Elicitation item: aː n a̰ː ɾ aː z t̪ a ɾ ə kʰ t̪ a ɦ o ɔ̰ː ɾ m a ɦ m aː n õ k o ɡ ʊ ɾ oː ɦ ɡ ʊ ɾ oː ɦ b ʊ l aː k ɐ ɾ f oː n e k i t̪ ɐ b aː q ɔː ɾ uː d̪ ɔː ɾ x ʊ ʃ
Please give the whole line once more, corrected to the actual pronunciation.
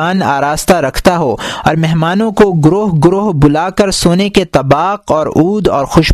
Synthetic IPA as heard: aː n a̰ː ɾ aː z t̪ a ɾ ɐ kʰ t̪ a ɦ o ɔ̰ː ɾ m ɛ ɦ m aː n õ k o ɡ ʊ ɾ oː ɦ ɡ ʊ ɾ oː ɦ b ʊ l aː k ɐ ɾ s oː n e k e t̪ ɐ b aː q ɔː ɾ uː d̪ ɔː ɾ x ʊ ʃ